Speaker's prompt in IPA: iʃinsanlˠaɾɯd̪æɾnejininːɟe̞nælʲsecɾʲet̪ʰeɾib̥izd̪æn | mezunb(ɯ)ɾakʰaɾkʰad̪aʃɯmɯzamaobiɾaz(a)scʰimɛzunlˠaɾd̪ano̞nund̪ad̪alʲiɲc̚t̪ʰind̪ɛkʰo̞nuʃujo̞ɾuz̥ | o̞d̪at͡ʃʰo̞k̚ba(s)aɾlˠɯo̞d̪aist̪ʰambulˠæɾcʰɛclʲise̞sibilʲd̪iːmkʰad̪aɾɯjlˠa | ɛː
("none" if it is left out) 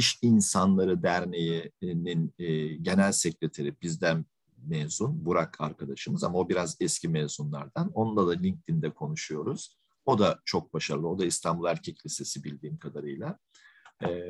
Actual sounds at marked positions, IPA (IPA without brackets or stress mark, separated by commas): u, ɛ, ʃ